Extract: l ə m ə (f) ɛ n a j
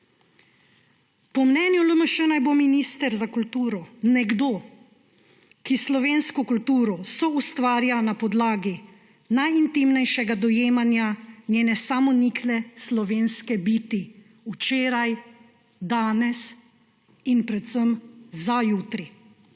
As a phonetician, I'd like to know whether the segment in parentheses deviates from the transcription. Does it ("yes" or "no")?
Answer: yes